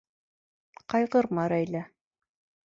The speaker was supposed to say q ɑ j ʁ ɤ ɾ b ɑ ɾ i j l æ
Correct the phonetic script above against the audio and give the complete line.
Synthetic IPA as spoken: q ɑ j ʁ ɤ ɾ m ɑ ɾ æ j l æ